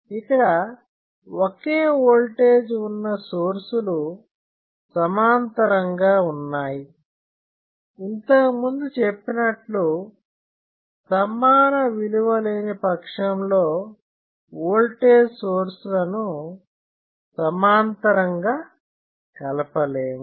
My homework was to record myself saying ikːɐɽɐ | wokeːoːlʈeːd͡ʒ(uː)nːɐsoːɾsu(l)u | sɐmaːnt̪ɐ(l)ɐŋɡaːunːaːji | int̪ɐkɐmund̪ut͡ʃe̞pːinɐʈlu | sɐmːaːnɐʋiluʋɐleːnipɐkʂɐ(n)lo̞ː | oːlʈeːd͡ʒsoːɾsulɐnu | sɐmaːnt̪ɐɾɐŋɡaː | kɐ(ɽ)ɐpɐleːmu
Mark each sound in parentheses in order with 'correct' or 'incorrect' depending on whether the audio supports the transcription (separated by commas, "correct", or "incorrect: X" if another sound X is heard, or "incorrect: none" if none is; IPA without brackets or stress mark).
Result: incorrect: u, correct, incorrect: ɾ, incorrect: m, incorrect: l